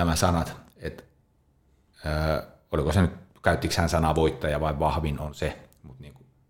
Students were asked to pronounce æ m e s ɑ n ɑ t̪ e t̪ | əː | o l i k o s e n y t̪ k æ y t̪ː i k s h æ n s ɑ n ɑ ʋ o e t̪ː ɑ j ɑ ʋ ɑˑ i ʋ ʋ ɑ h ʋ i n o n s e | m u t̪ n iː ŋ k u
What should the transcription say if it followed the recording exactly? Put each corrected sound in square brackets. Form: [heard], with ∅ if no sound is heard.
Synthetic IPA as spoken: æ m [æ] s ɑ n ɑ t̪ e t̪ | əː | o l i k o s e n y t̪ k æ y t̪ː i k s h æ n s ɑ n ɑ ʋ o [i] t̪ː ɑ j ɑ ʋ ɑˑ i ʋ ʋ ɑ h ʋ i n o n s e | m u t̪ n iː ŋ k u